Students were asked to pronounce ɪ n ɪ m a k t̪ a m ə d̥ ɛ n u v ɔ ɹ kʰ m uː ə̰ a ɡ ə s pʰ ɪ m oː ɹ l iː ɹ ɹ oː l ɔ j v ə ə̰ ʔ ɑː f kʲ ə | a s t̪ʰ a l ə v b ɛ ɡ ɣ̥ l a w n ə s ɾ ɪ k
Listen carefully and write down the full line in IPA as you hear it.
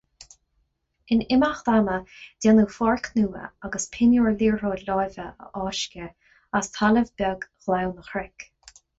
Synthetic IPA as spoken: ɪ n ɪ m a x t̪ a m ə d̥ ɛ n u f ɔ ɹ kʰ n uː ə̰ a ɡ ə s pʰ ɪ n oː ɹ l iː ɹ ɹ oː l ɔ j v ə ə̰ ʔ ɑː ʃ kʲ ə | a s t̪ʰ a l ə v b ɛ ɡ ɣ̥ l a w n ə x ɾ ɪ k

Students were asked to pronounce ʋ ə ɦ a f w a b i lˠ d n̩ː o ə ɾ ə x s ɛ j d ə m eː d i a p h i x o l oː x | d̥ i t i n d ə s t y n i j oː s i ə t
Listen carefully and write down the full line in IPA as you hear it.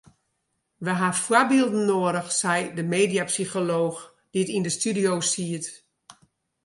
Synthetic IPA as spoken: ʋ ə ɦ a f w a b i lˠ d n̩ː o ə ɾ ə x s ɛ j d ə m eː d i a p s i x o l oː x | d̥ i t i n d ə s t y d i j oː s i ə t

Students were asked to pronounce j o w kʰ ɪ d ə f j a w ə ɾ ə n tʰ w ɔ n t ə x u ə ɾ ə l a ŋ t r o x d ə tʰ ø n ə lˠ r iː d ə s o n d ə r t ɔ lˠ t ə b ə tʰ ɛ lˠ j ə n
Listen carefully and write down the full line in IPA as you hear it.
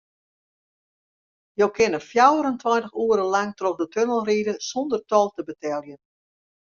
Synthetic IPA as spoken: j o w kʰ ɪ n ə f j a w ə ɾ ə n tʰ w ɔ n t ə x u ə ɾ ə l a ŋ t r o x d ə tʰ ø n ə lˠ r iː d ə s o n d ə r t ɔ lˠ t ə b ə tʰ ɛ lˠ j ə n

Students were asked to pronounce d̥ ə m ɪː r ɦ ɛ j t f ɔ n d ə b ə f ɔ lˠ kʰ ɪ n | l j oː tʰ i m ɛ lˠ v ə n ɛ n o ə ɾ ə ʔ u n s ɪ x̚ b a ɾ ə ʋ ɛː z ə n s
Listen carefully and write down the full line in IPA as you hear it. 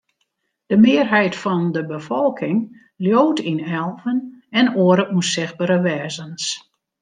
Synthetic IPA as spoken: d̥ ə m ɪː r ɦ ɛ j t f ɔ n d ə b ə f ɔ lˠ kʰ ɪ ŋ | l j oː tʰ i n ɛ lˠ v ə n ɛ n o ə ɾ ə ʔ u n s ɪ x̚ b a ɾ ə ʋ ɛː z ə n s

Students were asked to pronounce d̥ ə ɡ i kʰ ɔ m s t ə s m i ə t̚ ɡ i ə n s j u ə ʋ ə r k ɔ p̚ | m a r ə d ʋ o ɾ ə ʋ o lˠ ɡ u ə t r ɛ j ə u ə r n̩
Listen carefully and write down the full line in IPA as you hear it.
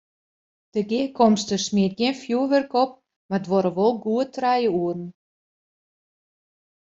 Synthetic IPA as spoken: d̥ ə ɡ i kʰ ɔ m s t ə s m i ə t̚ ɡ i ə n f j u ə ʋ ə r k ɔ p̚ | m a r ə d ʋ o ɾ ə ʋ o lˠ ɡ u ə t r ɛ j ə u ə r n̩

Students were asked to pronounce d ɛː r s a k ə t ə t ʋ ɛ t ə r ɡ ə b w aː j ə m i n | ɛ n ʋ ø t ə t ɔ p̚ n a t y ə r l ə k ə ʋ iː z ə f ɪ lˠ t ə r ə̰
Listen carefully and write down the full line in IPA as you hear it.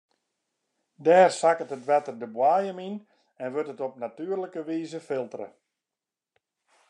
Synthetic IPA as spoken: d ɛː r s a k ə t ə t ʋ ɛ t ə r d ə b w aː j ə m i n | ɛ n ʋ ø t ə t ɔ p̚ n a t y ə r l ə k ə ʋ iː z ə f ɪ lˠ t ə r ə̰

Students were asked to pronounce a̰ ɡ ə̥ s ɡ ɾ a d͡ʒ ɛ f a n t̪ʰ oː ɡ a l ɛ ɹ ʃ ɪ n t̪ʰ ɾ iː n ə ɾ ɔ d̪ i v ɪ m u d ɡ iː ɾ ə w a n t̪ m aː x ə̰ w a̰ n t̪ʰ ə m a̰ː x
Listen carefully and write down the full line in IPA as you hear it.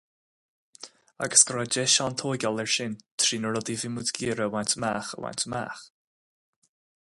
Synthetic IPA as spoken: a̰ ɡ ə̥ s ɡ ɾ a d͡ʒ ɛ ʃ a n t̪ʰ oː ɡ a l ɛ ɹ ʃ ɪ n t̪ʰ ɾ iː n ə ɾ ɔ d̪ i v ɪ m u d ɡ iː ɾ ə w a n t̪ m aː x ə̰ w a̰ n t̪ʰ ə m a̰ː x

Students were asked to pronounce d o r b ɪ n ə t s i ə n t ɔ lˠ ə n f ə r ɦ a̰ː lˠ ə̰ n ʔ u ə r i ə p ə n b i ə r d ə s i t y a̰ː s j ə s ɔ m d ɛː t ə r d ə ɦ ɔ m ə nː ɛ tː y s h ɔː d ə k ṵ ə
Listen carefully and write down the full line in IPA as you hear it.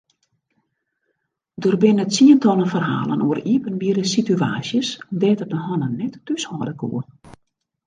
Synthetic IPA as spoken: d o r b ɪ n ə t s i ə n t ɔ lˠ ə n f ə r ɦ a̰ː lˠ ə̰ n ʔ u ə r i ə p ə n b i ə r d ə s i t y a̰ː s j ə s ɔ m d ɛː t ə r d ə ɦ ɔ n ə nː ɛ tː y s h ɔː d ə k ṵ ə

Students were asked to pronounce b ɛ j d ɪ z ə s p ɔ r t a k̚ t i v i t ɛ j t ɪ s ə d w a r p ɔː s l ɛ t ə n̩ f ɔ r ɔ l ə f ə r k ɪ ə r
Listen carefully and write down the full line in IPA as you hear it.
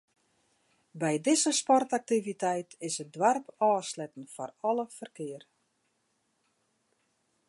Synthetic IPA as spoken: b ɛ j d ɪ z ə s p ɔ r t a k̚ t i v i t ɛ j t ɪ s ə d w a r p ɔː s l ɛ t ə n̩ f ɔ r ɔ l ə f ə r k ɪ ə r

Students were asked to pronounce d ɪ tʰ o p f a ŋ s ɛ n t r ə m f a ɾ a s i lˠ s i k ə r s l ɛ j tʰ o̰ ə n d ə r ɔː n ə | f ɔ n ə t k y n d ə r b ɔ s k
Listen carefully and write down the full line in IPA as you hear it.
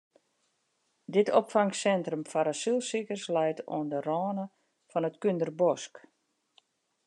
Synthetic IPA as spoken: d ɪ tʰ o p f a ŋ s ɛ n t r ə m f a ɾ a s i lˠ s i k ə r s l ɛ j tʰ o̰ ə n d ə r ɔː n ə | f ɔ n ə t k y n d ə r b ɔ s k

